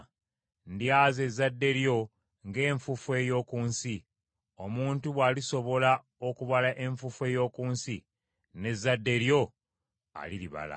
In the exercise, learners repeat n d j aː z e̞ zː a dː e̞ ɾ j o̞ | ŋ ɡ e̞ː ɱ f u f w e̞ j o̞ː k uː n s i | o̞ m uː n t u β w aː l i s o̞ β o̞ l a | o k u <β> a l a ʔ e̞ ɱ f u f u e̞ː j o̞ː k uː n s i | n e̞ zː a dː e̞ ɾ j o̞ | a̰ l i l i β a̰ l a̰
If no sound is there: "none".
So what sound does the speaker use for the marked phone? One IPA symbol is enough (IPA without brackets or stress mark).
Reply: β